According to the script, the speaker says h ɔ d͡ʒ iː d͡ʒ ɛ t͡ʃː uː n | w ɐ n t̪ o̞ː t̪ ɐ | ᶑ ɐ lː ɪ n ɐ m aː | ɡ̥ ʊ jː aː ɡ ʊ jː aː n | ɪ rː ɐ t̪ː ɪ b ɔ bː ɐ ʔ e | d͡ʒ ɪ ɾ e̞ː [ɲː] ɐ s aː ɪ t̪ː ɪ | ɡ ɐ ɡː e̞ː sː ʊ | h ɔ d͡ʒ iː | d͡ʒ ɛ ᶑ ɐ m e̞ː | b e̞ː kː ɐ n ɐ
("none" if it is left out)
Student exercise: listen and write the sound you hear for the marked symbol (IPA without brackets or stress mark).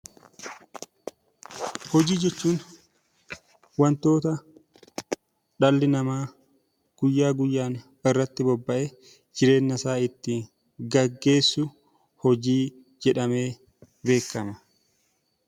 nː